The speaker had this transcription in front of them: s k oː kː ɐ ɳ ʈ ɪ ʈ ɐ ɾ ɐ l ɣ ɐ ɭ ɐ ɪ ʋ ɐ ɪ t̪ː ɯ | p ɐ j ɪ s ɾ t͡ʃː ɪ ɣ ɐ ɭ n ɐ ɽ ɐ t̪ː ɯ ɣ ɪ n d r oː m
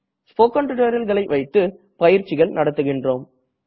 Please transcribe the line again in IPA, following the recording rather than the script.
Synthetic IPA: s p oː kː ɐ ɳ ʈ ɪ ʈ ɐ ɾ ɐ l ɣ ɐ ɭ ɐ ɪ ʋ ɐ ɪ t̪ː ɯ | p ɐ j ɪ ɾ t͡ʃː ɪ ɣ ɐ ɭ n ɐ ɽ ɐ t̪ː ɯ ɣ ɪ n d r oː m